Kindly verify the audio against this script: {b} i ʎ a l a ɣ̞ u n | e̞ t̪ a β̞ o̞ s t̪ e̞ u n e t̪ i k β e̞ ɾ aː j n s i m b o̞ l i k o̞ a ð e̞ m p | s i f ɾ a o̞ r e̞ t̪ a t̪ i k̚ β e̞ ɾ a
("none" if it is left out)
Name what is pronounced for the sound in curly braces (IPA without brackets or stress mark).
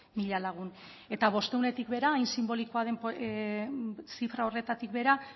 m